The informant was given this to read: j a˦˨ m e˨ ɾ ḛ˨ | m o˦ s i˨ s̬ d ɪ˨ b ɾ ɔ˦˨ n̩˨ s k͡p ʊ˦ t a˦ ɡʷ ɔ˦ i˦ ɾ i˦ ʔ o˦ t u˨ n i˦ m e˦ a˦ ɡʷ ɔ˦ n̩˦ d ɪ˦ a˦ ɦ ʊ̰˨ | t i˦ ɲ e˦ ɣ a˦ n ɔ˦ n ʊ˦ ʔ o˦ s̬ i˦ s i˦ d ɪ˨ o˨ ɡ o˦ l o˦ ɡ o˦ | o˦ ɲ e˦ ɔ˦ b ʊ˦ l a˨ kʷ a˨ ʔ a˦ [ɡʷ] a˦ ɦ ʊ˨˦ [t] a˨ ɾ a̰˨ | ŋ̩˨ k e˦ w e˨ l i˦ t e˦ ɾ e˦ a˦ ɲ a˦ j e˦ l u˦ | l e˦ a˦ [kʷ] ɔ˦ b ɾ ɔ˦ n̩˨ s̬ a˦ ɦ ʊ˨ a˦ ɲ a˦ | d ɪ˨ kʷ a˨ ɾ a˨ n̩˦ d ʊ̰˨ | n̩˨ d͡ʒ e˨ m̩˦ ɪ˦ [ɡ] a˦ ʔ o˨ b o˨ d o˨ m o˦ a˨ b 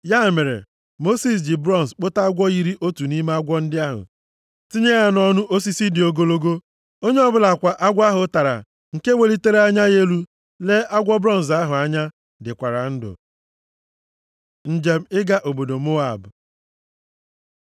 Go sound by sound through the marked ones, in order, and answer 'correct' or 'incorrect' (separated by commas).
correct, correct, incorrect, correct